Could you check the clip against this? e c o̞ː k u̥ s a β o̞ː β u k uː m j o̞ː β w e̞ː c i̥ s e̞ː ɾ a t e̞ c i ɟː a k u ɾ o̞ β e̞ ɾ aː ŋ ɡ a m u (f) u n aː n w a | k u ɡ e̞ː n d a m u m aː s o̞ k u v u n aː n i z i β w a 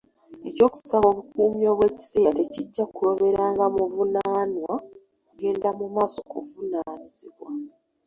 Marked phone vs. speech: incorrect: v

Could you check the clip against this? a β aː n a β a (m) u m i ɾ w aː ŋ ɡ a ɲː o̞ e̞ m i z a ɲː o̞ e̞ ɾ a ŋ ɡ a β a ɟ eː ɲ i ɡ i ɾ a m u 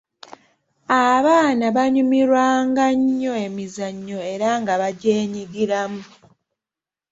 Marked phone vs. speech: incorrect: ɲ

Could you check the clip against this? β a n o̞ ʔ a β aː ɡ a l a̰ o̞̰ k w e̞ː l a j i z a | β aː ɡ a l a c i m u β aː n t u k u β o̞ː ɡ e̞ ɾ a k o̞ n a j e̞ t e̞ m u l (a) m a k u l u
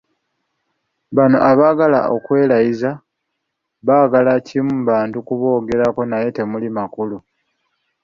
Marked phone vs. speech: incorrect: i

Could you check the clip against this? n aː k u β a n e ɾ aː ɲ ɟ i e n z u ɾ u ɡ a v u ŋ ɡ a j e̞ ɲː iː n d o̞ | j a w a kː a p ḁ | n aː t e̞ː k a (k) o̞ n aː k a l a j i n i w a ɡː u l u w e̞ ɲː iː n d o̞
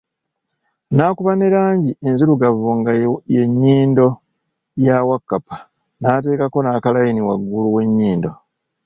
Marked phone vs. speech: correct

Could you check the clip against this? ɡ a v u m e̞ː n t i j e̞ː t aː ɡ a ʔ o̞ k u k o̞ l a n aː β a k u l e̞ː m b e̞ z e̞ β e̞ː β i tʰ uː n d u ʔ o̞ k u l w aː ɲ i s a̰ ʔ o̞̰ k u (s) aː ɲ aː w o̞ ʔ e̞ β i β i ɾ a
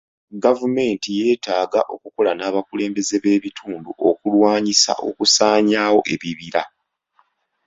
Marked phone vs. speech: correct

